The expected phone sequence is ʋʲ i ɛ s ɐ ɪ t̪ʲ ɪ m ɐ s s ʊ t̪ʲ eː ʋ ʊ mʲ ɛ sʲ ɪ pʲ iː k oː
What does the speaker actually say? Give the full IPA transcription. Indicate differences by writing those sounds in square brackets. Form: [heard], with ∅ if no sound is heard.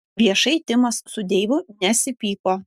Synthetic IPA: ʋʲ i ɛ [ʃ] ɐ ɪ t̪ʲ ɪ m ɐ s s ʊ [d̪ʲ] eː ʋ ʊ [nʲ] ɛ sʲ ɪ pʲ iː k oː